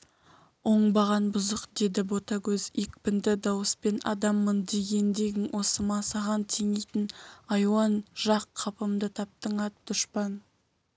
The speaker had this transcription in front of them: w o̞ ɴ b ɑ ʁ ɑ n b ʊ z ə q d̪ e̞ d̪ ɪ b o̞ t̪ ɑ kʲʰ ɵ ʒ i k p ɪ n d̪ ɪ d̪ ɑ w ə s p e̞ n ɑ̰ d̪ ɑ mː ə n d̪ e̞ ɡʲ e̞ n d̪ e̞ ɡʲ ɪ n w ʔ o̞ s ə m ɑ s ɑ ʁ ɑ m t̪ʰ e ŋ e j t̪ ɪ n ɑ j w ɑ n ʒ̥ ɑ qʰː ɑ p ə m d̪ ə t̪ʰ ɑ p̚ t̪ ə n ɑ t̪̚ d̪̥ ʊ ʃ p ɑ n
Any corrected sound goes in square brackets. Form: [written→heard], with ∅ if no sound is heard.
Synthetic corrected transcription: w o̞ ɴ b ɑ ʁ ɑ n b ʊ z ə q d̪ e̞ d̪ ɪ b o̞ t̪ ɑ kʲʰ ɵ [ʒ→z] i k p ɪ n d̪ ɪ d̪ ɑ w ə s p e̞ n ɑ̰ d̪ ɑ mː ə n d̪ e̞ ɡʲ e̞ n d̪ e̞ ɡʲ ɪ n w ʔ o̞ s ə m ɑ s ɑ ʁ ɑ [m→n] t̪ʰ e ŋ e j t̪ ɪ n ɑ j w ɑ n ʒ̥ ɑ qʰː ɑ p ə m d̪ ə t̪ʰ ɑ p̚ t̪ ə [n→ɴ] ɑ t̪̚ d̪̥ ʊ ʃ p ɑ n